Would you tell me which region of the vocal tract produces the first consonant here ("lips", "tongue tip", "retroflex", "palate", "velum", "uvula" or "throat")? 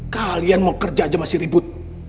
velum